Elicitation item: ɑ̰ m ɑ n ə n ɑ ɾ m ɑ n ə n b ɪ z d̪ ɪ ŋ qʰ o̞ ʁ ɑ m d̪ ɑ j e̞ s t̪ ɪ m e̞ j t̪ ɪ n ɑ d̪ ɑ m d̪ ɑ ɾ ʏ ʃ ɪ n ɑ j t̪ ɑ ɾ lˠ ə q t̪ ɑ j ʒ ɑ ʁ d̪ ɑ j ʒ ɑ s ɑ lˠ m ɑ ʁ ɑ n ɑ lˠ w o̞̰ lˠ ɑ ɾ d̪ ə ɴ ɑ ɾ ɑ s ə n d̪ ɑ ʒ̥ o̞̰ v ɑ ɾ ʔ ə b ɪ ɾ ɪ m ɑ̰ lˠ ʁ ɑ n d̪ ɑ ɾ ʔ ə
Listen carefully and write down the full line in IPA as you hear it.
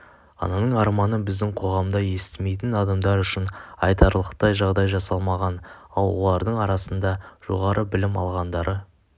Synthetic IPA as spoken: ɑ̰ n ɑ n ə ɴ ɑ ɾ m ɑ n ə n b ɪ z d̪ ɪ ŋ qʰ o̞ ʁ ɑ m d̪ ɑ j e̞ s t̪ ɪ m e̞ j t̪ ɪ n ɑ d̪ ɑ m d̪ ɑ ɾ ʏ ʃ ɪ n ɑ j t̪ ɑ ɾ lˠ ə q t̪ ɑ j ʒ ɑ ʁ d̪ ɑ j ʒ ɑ s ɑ lˠ m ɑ ʁ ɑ n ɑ lˠ w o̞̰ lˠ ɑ ɾ d̪ ə ɴ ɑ ɾ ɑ s ə n d̪ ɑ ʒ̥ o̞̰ ʁ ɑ ɾ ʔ ə b ɪ l ɪ m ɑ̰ lˠ ʁ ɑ n d̪ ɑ ɾ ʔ ə